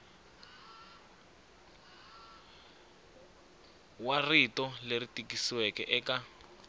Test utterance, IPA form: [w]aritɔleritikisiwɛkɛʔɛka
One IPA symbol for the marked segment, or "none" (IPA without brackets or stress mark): w